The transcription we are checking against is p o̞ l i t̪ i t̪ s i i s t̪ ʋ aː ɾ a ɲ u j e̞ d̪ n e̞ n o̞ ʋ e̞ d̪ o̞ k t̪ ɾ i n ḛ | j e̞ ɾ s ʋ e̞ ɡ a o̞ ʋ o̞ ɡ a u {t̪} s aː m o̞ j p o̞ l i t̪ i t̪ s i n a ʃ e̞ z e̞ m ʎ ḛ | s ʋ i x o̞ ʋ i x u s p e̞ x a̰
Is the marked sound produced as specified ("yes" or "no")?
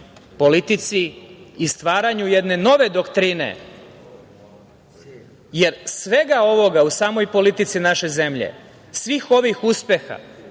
no